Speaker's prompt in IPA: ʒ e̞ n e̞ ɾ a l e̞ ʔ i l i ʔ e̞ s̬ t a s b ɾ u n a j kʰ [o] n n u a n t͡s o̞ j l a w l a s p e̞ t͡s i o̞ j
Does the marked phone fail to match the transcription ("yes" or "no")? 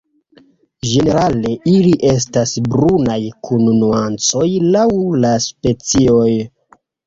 yes